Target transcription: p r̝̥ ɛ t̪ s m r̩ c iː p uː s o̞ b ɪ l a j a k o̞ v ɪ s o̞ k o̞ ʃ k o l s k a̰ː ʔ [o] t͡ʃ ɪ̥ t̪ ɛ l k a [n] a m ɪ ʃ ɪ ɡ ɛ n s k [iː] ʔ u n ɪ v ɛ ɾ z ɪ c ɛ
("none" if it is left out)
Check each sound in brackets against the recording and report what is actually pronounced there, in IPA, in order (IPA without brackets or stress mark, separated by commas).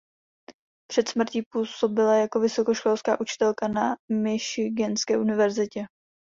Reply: u, n, ɛː